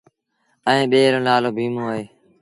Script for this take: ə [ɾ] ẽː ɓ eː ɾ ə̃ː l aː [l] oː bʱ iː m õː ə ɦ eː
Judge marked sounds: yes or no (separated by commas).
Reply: no, yes